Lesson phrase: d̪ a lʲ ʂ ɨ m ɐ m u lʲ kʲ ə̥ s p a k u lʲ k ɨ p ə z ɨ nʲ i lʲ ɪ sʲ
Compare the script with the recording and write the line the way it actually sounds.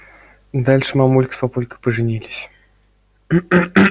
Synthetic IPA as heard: d̪ a lʲ ʂ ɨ m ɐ m u lʲ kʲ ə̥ s p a p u lʲ k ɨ p ə ʐ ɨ nʲ i lʲ ɪ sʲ

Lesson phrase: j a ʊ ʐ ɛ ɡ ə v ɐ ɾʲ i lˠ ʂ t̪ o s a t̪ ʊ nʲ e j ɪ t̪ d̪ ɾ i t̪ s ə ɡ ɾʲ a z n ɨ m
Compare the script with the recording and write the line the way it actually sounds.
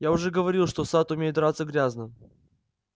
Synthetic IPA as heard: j a ʊ ʐ ɛ ɡ ə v ɐ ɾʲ i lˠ ʂ t̪ o s a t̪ ʊ mʲ e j ɪ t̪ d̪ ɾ a t̪ s ə ɡ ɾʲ a z n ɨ m

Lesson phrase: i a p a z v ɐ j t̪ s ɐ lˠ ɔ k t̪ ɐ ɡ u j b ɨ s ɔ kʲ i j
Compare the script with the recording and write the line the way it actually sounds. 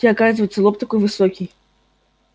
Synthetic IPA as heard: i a k a z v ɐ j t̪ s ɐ lˠ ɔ p t̪ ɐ k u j v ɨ s ɔ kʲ i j

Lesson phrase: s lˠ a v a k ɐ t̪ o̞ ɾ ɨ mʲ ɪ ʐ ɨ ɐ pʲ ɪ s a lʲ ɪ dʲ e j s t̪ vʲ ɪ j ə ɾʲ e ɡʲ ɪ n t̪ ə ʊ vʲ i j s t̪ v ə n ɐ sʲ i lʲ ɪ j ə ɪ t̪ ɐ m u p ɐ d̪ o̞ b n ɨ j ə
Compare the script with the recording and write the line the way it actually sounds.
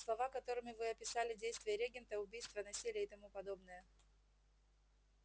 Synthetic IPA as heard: s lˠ ɐ v a k ɐ t̪ o̞ ɾ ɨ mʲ ɪ v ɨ ɐ pʲ ɪ s a lʲ ɪ dʲ e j s t̪ vʲ ɪ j ə ɾʲ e ɡʲ ɪ n t̪ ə ʊ bʲ i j s t̪ v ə n ɐ sʲ i lʲ ɪ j ə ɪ t̪ ɐ m u p ɐ d̪ o̞ b n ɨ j ə

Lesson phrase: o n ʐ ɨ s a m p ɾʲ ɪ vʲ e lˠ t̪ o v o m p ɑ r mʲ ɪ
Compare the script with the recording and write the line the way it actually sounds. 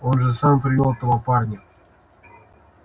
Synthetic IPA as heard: o n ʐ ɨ s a m p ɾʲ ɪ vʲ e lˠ t̪ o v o p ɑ r nʲ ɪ

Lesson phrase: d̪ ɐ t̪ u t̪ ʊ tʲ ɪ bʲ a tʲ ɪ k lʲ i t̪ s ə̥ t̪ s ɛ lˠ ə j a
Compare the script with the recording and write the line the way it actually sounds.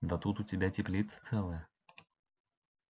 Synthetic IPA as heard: d̪ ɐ t̪ u t̪ ʊ tʲ ɪ bʲ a tʲ ɪ p lʲ i t̪ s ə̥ t̪ s ɛ lˠ ə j ə

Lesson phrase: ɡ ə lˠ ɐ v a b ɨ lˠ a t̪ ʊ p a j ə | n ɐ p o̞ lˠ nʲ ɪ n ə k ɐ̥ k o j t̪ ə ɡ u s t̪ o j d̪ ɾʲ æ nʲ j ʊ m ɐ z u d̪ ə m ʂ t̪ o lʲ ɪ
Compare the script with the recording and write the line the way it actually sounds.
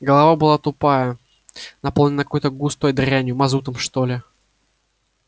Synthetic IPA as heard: ɡ ə lˠ ɐ v a b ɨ lˠ a t̪ ʊ p a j ə | n ɐ p o̞ lˠ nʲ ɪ n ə k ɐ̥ k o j t̪ ə ɡ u s t̪ o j d̪ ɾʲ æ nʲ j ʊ m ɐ z u t̪ ə m ʂ t̪ o lʲ ɪ

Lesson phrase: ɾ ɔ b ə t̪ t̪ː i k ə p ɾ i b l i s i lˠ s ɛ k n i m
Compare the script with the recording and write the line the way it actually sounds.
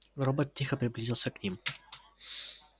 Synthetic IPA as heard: ɾ ɔ b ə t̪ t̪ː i x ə p ɾ i b l i z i lˠ s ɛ k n i m

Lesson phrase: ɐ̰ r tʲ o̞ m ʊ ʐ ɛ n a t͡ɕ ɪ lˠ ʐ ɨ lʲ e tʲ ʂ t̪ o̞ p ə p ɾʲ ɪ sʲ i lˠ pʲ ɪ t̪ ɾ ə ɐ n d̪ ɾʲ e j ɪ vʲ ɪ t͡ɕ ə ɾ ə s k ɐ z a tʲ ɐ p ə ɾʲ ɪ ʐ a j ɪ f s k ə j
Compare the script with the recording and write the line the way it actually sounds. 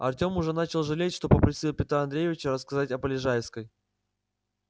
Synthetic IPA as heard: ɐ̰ r tʲ o̞ m ʊ ʐ ɛ n a t͡ɕ ɪ lˠ ʐ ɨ lʲ e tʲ ʂ t̪ o̞ p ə p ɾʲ ɪ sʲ i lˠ pʲ ɪ t̪ ɾ a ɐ n d̪ ɾʲ e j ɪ vʲ ɪ t͡ɕ ə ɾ ə s k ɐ z a tʲ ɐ p ə lʲ ɪ ʐ a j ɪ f s k ə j

